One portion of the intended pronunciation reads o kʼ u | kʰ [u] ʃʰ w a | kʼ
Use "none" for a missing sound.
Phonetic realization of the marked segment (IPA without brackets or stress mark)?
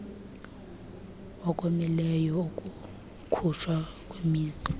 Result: u